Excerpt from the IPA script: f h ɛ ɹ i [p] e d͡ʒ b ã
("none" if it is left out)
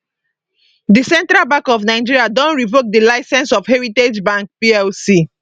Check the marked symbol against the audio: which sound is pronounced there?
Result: t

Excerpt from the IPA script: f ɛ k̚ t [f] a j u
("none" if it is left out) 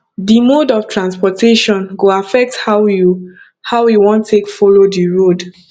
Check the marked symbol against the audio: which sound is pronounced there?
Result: h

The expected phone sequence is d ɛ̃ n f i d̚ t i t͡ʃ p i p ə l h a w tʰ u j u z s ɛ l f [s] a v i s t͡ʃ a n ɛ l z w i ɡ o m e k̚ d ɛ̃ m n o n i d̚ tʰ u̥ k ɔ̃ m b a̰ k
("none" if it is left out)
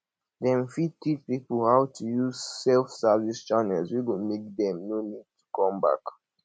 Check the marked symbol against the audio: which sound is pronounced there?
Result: s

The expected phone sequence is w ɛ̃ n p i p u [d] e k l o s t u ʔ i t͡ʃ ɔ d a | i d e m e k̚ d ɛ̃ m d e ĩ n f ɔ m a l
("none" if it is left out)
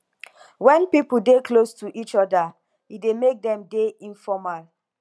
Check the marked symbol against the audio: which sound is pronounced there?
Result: d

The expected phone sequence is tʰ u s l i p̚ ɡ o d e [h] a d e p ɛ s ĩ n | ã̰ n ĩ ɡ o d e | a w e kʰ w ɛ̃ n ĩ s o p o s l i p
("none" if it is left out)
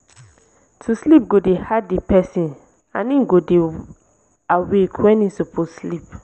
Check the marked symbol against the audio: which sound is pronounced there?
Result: h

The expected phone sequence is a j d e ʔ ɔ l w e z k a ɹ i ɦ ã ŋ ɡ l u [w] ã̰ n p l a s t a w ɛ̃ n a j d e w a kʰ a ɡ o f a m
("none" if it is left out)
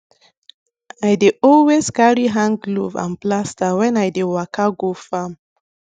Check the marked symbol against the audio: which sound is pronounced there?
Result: v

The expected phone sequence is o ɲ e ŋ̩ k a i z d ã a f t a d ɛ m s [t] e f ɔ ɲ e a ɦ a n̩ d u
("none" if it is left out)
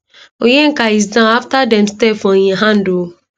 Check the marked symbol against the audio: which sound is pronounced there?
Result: t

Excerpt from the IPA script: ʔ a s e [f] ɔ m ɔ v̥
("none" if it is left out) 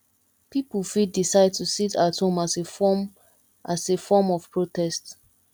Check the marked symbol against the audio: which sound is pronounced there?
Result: f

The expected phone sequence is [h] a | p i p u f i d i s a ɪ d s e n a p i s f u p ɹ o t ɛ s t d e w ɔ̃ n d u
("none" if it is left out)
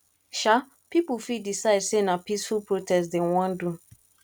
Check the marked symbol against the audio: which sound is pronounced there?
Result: ʃ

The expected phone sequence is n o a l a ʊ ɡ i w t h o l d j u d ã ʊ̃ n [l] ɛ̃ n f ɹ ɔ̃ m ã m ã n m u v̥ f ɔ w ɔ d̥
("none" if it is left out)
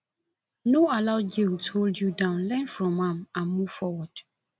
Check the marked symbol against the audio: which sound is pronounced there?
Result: l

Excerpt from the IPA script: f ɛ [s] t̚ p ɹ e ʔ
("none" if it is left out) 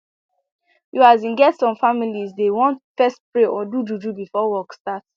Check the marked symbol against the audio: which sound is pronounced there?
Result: s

